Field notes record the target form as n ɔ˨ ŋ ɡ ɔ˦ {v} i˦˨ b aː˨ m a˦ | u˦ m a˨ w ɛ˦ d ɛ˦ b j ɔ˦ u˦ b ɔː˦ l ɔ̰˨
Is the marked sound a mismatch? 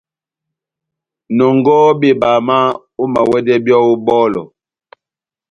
yes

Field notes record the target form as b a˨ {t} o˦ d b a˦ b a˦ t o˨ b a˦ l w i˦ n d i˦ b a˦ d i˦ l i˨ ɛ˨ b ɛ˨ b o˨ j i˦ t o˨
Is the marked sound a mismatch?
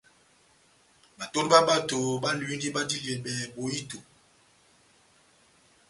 no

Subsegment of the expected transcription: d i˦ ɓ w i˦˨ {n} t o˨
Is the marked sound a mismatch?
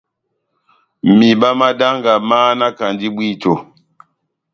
yes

